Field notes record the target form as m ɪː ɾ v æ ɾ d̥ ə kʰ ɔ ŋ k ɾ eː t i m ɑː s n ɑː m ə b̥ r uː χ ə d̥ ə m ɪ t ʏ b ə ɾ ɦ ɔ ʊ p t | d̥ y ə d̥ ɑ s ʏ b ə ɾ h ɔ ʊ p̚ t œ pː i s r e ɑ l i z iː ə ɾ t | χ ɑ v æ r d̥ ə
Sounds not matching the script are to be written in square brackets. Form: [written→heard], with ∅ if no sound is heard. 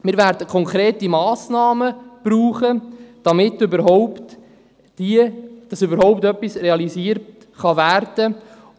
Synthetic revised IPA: m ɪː ɾ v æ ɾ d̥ ə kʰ ɔ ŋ k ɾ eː t i m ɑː s n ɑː m ə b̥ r uː χ ə d̥ [ə→ɑ] m ɪ t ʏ b ə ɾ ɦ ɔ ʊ p t | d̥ [y→i] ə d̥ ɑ s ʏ b ə ɾ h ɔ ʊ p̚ t œ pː i s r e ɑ l i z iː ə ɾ t | χ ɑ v æ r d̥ ə